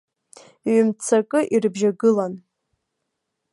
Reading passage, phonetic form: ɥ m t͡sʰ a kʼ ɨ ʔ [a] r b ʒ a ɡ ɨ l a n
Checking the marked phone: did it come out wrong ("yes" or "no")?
yes